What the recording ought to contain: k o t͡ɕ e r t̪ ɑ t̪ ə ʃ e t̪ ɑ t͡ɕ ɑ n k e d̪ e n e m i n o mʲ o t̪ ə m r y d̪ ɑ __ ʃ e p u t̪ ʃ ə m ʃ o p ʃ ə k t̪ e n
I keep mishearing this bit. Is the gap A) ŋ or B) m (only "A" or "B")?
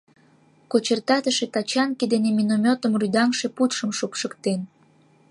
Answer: A